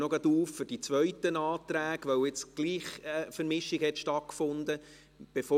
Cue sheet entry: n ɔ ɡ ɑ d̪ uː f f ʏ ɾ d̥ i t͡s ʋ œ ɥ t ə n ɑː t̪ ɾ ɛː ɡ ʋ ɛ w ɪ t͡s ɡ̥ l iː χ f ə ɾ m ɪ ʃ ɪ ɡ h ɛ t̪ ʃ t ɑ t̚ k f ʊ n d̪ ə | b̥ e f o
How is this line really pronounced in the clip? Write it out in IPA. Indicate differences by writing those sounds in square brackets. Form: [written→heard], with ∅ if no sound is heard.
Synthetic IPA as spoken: n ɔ ɡ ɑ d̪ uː f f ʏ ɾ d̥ i t͡s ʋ œ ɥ t ə n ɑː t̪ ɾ [ɛː→æː] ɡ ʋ [ɛ→œ] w ɪ t͡s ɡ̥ l iː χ f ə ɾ m ɪ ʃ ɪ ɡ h ɛ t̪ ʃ t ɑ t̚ k f ʊ n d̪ ə | b̥ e f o